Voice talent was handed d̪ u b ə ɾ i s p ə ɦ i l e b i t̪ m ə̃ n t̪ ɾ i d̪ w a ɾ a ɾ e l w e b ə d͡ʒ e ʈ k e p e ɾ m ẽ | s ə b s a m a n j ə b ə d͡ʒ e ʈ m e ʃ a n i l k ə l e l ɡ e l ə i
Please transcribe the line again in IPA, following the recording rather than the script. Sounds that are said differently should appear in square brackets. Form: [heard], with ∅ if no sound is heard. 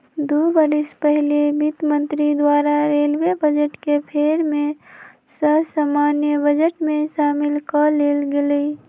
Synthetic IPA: d̪ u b ə ɾ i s p ə ɦ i l e b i t̪ m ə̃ n t̪ ɾ i d̪ w a ɾ a ɾ e l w e b ə d͡ʒ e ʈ k e [pʰ] e ɾ m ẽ | s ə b s a m a n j ə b ə d͡ʒ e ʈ m e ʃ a [m] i l k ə l e l ɡ e l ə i